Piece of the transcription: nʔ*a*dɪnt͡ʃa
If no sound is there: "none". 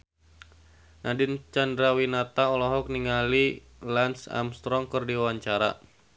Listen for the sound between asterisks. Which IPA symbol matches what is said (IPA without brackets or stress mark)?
a